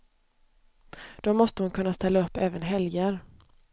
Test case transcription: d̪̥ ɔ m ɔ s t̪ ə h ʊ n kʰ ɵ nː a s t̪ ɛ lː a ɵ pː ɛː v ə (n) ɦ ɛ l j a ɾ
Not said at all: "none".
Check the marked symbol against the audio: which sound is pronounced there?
n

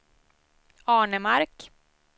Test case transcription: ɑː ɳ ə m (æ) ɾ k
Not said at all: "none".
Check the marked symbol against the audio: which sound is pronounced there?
a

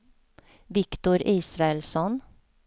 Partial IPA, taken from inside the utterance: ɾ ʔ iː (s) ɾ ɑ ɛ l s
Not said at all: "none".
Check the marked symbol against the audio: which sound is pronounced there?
s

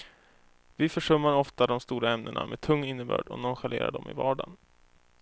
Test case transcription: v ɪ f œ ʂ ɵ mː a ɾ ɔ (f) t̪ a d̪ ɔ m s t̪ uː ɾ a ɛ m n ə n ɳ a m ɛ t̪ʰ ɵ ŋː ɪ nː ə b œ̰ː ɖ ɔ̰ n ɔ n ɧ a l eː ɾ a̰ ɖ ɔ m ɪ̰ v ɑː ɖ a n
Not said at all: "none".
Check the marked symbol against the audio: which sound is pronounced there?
f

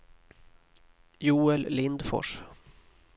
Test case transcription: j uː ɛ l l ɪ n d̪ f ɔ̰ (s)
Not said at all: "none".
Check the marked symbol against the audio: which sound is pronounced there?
ʂ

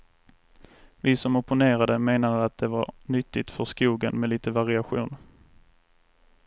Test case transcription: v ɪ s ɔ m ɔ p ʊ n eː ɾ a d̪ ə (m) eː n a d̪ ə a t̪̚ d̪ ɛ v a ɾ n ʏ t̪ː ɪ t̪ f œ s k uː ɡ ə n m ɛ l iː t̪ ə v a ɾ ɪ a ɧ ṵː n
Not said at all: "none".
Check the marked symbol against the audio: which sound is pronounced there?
m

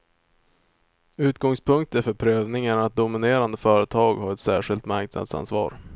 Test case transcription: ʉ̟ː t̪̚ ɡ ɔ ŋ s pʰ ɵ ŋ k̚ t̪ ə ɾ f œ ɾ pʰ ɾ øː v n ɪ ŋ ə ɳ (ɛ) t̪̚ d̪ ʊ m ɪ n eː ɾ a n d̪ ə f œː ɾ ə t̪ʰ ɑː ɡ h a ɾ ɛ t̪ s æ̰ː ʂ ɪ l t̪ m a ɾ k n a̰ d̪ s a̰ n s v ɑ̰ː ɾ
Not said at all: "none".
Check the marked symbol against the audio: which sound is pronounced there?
a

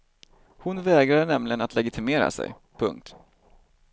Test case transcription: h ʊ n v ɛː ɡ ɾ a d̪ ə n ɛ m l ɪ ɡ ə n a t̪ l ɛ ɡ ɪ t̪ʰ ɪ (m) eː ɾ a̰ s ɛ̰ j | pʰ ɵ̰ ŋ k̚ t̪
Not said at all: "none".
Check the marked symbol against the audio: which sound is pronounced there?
m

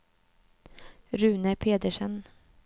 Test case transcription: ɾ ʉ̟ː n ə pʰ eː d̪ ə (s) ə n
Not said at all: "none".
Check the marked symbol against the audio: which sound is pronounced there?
ʂ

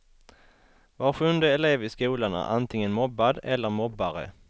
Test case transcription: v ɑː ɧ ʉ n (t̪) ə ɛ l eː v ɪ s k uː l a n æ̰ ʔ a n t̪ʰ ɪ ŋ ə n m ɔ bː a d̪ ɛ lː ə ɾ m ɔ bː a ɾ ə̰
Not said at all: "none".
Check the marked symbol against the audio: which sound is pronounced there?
d̪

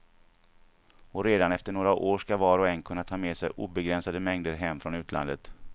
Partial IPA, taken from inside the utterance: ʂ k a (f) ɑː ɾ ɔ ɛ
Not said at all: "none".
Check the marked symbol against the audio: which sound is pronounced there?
v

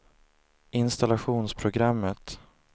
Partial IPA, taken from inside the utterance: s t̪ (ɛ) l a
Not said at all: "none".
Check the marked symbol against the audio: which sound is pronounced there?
a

